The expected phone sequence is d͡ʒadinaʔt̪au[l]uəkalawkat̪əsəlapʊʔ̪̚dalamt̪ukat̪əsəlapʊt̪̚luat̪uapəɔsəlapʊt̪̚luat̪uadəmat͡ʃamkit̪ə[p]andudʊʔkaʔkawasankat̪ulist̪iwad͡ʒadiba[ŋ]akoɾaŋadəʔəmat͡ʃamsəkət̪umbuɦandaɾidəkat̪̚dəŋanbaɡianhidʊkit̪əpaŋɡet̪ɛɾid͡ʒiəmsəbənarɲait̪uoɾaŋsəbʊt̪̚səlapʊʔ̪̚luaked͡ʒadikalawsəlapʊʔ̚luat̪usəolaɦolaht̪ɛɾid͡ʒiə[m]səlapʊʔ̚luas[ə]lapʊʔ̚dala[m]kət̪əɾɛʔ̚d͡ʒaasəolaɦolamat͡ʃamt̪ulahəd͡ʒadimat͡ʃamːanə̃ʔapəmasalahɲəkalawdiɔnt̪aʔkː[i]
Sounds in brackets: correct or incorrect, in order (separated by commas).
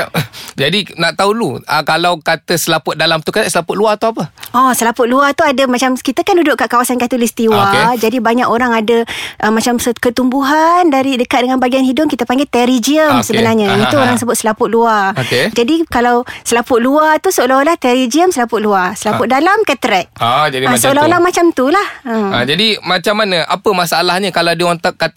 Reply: correct, incorrect, incorrect, correct, correct, correct, incorrect